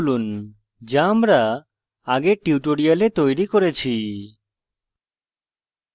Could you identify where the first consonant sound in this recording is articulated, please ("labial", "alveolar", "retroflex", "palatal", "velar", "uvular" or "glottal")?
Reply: alveolar